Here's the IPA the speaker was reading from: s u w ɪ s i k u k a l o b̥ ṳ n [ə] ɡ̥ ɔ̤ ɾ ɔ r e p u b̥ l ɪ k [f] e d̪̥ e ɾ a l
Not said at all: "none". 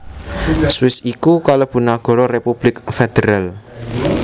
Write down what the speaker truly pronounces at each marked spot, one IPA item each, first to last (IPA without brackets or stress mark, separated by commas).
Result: a, f